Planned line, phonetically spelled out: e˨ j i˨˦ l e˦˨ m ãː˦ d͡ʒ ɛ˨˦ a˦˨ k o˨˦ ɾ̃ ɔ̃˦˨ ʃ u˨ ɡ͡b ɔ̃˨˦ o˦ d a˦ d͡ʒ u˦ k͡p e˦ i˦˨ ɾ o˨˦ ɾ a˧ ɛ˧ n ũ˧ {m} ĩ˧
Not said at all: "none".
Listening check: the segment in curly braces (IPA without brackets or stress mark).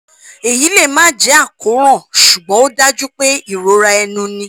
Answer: n